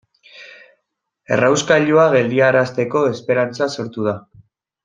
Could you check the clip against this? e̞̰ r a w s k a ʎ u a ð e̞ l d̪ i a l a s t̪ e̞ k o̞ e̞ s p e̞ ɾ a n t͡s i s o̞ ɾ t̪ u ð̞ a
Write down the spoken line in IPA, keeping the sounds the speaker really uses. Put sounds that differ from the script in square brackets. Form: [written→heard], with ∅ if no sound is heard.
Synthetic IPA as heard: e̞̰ r a w s k a ʎ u a [ð→ɣ] e̞ l d̪ i a [l→ɾ] a s t̪ e̞ k o̞ e̞ s p e̞ ɾ a n t͡s [i→a] s o̞ ɾ t̪ u ð̞ a

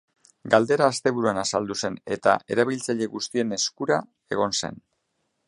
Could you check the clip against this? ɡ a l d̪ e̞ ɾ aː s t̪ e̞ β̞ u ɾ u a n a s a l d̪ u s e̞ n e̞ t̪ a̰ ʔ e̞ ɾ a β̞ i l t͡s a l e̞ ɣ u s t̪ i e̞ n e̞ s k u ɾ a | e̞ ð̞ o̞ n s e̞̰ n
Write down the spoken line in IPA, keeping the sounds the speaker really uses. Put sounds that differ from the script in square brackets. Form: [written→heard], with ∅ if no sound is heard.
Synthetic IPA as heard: ɡ a l d̪ e̞ ɾ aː s t̪ e̞ β̞ u ɾ u a n a s a l d̪ u s e̞ n e̞ t̪ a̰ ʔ e̞ ɾ a β̞ i l t͡s a [l→ʎ] e̞ ɣ u s t̪ i e̞ n e̞ s k u ɾ a | e̞ [ð̞→ɣ̞] o̞ n s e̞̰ n

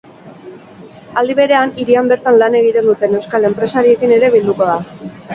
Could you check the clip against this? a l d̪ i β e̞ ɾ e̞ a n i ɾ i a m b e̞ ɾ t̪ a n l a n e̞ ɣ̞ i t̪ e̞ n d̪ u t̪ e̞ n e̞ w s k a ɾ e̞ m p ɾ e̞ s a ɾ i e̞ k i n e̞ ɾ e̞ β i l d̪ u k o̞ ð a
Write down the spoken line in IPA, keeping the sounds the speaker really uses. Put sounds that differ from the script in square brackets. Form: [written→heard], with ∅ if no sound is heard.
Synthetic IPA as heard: a l d̪ i β e̞ ɾ e̞ a n i ɾ i a m b e̞ ɾ t̪ a n l a n e̞ ɣ̞ i t̪ e̞ n d̪ u t̪ e̞ n e̞ w s k a [ɾ→l] e̞ m p ɾ e̞ s a ɾ i e̞ k i n e̞ ɾ e̞ β i l d̪ u k o̞ ð a

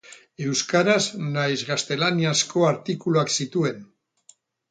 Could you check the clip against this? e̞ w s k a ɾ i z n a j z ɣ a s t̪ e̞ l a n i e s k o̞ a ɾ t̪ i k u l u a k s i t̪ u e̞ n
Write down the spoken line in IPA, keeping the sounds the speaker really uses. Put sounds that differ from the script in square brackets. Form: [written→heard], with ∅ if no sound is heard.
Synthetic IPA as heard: e̞ w s k a ɾ [i→a] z n a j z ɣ a s t̪ e̞ l a n i [e→a] s k o̞ a ɾ t̪ i k u l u a k s i t̪ u e̞ n

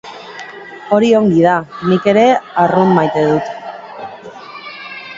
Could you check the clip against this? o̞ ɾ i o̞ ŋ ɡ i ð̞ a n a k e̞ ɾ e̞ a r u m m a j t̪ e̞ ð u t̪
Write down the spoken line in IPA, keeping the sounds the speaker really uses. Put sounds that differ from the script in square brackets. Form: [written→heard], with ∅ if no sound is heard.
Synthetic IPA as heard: o̞ ɾ i o̞ ŋ ɡ i ð̞ a n [a→i] k e̞ ɾ e̞ a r u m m a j t̪ e̞ ð u t̪

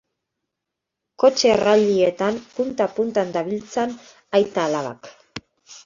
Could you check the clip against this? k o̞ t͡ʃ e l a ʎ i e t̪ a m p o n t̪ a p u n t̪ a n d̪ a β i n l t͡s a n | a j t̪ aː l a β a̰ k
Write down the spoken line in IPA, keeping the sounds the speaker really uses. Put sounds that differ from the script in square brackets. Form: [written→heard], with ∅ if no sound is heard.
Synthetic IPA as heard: k o̞ t͡ʃ e [l→r] a ʎ i e t̪ a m p [o→u] n t̪ a p u n t̪ a n d̪ a β i [n→∅] l t͡s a n | a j t̪ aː l a β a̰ k

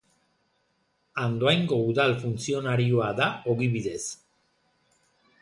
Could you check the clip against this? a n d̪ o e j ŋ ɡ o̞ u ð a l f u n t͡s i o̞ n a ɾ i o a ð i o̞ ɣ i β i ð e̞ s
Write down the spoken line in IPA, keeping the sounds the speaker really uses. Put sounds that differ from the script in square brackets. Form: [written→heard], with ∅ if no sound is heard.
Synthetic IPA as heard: a n d̪ o [e→a] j ŋ ɡ o̞ u ð a l f u n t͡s i o̞ n a ɾ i o a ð [i→a] o̞ ɣ i β i ð e̞ s

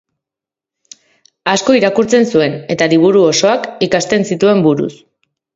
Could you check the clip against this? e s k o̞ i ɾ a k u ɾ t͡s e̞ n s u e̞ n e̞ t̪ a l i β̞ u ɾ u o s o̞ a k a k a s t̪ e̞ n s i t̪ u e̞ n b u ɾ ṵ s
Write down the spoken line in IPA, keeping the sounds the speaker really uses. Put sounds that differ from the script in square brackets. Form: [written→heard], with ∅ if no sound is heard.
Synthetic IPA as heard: [e→a] s k o̞ i ɾ a k u ɾ t͡s e̞ n s u e̞ n e̞ t̪ a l i β̞ u ɾ u o s o̞ a k [a→i] k a s t̪ e̞ n s i t̪ u e̞ [n→m] b u ɾ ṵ s

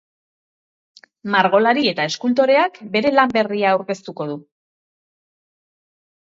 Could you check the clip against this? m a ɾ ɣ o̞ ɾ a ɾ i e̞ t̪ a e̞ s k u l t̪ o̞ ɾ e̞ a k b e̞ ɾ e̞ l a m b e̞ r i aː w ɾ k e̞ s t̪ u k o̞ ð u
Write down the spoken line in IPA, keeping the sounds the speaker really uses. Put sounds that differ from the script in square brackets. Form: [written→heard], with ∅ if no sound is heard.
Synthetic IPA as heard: m a ɾ ɣ o̞ [ɾ→l] a ɾ i e̞ t̪ a e̞ s k u l t̪ o̞ ɾ e̞ a k b e̞ ɾ e̞ l a m b e̞ r i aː w ɾ k e̞ s t̪ u k o̞ ð u

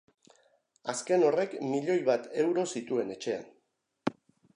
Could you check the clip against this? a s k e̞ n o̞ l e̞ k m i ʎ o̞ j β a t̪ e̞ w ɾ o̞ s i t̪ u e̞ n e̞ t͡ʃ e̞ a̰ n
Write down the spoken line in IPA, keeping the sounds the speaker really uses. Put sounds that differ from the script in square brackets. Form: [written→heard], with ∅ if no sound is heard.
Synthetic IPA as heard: a s k e̞ n o̞ [l→r] e̞ k m i ʎ o̞ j β a t̪ e̞ w ɾ o̞ s i t̪ u e̞ n e̞ t͡ʃ e̞ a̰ n

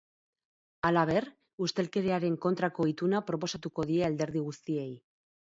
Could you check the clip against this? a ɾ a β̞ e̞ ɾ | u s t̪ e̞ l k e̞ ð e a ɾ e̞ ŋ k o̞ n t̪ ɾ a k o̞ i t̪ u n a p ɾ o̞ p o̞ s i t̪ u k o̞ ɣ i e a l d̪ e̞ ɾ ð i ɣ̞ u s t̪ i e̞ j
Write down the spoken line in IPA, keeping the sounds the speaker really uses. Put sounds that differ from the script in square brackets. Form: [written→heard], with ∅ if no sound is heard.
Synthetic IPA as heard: a [ɾ→l] a β̞ e̞ ɾ | u s t̪ e̞ l k e̞ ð e a ɾ e̞ ŋ k o̞ n t̪ ɾ a k o̞ i t̪ u n a p ɾ o̞ p o̞ s [i→a] t̪ u k o̞ [ɣ→ð] i e a l d̪ e̞ ɾ ð i ɣ̞ u s t̪ i e̞ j

